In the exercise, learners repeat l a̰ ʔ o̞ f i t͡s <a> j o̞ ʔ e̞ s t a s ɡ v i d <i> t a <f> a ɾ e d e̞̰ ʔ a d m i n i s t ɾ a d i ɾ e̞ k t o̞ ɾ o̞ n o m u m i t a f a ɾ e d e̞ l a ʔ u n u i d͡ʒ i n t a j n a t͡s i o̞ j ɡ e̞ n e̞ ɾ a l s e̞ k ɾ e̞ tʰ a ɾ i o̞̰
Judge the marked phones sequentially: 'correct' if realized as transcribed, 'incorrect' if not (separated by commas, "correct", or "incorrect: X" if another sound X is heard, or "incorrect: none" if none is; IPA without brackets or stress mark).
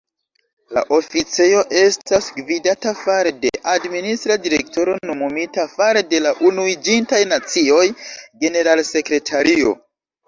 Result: incorrect: e, incorrect: a, correct